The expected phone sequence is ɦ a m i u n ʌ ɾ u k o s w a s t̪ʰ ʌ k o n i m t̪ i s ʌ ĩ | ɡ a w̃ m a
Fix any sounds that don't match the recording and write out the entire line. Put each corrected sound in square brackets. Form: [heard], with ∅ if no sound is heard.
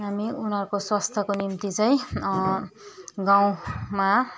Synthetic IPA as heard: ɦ a m i u n ʌ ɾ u k o s w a s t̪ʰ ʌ k o n i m t̪ i [t͡s] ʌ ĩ | ɡ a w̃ m a